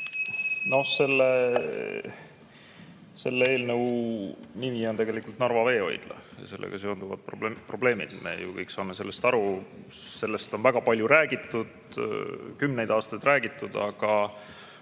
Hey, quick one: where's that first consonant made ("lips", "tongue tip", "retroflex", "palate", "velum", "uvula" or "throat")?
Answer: tongue tip